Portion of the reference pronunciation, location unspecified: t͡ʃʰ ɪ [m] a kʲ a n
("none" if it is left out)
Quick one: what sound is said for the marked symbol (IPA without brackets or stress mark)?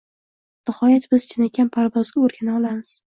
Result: n